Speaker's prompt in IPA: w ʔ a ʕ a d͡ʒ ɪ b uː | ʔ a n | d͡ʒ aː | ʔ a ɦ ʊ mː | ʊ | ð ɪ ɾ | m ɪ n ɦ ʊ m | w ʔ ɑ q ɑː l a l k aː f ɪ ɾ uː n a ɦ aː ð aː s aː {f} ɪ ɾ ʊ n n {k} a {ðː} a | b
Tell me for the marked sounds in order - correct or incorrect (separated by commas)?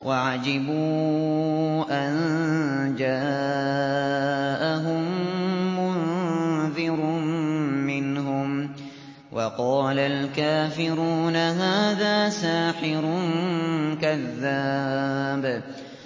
incorrect, correct, correct